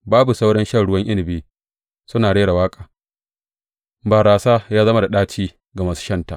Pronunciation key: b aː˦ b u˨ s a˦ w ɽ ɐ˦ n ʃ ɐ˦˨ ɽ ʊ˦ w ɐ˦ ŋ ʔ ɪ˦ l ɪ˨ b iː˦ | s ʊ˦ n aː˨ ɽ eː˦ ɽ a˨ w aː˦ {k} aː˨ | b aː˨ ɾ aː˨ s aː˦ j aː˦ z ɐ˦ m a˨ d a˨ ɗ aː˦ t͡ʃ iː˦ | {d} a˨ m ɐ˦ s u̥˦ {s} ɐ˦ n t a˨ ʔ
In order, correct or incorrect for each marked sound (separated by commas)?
incorrect, incorrect, incorrect